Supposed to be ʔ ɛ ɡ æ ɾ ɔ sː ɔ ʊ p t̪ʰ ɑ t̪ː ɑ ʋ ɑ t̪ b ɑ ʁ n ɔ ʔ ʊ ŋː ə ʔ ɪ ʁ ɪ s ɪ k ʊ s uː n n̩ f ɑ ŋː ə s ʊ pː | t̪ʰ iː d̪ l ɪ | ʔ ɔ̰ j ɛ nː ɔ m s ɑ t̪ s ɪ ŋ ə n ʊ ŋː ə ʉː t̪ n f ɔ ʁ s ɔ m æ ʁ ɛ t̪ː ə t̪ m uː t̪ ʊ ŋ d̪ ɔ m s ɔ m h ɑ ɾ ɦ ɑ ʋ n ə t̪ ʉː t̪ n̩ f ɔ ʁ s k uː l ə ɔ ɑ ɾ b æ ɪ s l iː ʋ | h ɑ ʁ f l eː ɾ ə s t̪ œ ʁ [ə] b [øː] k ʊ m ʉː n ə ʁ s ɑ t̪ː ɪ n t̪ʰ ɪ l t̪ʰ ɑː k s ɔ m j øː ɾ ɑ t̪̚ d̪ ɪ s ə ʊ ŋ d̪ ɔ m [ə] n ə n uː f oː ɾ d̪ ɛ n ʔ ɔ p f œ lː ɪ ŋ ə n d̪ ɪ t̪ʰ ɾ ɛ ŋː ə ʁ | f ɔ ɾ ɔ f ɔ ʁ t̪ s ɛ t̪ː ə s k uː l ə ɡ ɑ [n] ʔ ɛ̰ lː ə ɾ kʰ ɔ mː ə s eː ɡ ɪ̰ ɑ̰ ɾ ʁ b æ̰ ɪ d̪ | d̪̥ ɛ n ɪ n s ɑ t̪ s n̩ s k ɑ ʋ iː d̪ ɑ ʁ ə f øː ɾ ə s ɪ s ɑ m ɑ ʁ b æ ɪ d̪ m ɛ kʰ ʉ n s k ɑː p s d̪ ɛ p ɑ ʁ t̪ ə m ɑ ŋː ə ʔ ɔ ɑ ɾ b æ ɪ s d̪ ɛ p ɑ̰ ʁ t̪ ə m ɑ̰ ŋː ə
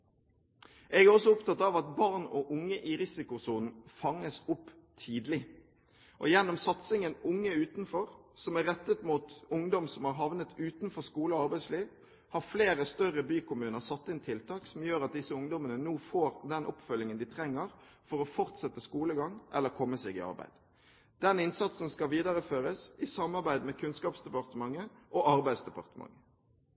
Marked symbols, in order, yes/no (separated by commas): yes, no, yes, no